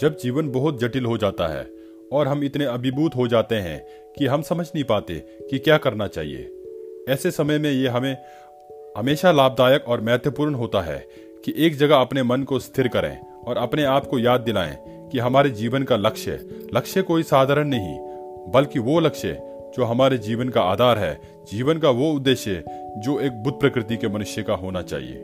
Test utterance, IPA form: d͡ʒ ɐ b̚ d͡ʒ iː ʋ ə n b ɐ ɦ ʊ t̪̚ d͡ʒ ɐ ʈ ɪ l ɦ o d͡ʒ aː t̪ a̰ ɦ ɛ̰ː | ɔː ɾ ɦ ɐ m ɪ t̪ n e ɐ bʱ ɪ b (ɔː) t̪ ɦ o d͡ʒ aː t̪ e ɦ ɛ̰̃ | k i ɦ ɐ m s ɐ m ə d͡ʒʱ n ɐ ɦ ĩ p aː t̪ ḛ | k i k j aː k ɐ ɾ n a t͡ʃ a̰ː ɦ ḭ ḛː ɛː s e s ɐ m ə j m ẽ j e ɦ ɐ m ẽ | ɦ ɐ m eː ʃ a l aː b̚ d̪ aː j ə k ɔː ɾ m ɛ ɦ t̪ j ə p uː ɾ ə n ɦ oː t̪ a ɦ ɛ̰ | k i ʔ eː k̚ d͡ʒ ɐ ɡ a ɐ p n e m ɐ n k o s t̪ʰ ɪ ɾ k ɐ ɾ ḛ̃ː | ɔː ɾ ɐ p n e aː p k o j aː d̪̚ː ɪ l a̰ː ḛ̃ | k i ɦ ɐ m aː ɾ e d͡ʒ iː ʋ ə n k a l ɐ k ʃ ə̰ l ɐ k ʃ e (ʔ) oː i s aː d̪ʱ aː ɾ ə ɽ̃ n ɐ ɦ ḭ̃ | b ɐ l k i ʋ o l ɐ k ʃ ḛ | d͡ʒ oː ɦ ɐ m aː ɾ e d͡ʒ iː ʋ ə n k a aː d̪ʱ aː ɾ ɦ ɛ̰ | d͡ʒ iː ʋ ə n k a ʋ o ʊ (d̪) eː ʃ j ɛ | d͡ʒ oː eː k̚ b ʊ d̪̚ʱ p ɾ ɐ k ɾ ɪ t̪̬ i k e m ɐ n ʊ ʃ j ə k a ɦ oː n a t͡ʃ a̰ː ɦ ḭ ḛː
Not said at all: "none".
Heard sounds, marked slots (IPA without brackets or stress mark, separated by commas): uː, k, d̪ː